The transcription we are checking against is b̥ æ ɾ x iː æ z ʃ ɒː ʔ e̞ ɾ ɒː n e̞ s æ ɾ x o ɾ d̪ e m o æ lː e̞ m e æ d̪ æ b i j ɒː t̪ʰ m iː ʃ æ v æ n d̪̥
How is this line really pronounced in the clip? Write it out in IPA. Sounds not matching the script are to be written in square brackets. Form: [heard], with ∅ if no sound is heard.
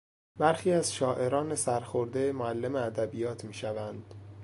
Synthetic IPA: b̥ æ ɾ x iː æ z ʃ ɒː ʔ e̞ ɾ ɒː n e̞ s æ ɾ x o ɾ d̪ e m o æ lː e̞ m e æ d̪ æ b i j ɒː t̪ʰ m iː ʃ æ v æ n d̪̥